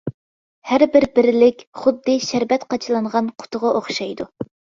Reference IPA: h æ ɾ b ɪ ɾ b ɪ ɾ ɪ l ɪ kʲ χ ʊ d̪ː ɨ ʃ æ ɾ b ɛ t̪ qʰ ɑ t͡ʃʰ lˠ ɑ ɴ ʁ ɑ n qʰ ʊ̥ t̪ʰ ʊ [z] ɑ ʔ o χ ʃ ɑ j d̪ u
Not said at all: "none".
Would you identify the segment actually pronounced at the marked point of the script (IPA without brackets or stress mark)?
ʁ